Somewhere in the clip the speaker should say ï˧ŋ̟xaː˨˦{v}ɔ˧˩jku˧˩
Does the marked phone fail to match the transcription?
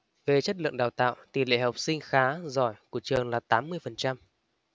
yes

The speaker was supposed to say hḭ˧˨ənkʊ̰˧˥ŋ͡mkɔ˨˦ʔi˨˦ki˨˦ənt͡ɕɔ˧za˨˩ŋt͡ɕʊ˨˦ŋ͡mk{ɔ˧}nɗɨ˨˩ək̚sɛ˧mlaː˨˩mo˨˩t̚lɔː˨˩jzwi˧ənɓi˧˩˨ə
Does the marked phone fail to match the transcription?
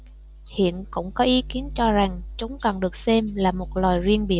yes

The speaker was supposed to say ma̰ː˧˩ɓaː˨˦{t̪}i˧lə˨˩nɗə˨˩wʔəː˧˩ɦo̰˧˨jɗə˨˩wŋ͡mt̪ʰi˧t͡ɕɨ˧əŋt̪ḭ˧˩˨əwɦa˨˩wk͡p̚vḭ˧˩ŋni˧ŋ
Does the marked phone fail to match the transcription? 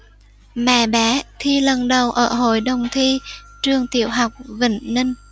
yes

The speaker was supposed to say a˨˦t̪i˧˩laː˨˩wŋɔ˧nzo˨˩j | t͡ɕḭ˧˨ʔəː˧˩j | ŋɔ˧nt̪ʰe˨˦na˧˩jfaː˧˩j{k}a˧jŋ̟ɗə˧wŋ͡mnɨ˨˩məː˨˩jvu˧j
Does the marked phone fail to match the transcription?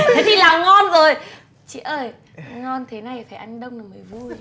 yes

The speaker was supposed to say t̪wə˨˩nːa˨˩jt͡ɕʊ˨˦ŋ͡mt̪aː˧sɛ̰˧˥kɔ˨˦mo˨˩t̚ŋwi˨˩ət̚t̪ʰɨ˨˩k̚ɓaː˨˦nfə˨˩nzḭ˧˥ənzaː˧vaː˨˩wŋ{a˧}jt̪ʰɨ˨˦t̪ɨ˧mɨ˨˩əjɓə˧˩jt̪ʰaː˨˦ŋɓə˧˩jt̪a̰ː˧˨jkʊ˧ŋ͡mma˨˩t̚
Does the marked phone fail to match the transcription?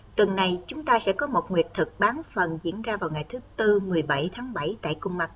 yes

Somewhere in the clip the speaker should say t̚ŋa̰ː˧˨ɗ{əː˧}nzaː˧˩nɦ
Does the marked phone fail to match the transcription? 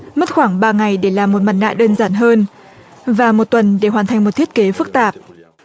no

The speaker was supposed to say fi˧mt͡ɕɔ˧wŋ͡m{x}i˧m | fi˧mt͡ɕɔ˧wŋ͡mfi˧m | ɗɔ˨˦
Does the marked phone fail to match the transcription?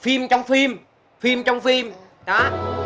yes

